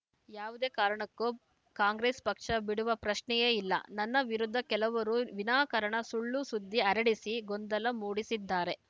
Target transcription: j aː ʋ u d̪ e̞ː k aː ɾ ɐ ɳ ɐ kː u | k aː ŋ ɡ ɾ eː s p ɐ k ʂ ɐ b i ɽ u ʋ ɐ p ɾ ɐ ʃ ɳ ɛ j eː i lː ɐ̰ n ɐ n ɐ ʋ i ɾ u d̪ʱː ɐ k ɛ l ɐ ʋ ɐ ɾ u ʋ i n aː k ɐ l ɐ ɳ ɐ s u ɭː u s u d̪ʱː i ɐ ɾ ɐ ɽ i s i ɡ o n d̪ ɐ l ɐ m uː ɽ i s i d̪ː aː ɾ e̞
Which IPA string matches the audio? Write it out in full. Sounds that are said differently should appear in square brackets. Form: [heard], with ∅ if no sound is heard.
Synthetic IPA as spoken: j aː ʋ u d̪ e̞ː k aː ɾ ɐ ɳ ɐ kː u | k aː ŋ ɡ ɾ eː s p ɐ k ʂ ɐ b i ɽ u ʋ ɐ p ɾ ɐ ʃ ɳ ɛ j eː i lː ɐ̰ n ɐ [nː] ɐ ʋ i ɾ u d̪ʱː ɐ k ɛ l ɐ ʋ ɐ ɾ u ʋ i n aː k ɐ [ɾ] ɐ ɳ ɐ s u ɭː u s u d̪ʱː i ɐ ɾ ɐ ɽ i s i ɡ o n d̪ ɐ l ɐ m uː ɽ i s i d̪ː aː ɾ e̞